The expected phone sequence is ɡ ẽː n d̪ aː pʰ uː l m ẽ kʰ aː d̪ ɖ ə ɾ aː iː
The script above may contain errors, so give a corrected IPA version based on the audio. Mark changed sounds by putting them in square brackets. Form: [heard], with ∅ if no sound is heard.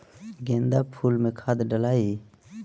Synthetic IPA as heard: ɡ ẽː n d̪ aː pʰ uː l m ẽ kʰ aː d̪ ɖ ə [l] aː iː